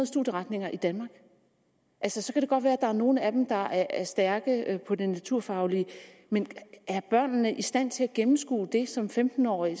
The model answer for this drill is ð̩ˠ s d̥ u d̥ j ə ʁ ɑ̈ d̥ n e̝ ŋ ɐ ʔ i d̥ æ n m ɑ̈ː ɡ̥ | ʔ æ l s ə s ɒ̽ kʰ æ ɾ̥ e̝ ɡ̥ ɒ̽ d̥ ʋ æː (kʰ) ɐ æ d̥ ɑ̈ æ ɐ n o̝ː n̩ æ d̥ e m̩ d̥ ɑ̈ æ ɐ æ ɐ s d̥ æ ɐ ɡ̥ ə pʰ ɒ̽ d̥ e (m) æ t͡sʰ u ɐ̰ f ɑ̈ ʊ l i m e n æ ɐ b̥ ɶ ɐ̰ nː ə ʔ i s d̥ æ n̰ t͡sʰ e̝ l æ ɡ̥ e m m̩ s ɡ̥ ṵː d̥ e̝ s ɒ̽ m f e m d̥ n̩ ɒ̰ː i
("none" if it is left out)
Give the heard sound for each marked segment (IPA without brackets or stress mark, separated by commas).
none, n